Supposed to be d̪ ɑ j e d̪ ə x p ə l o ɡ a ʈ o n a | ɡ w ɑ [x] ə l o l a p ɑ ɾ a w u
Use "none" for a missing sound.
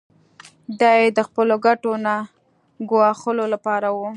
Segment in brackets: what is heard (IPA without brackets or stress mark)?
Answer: x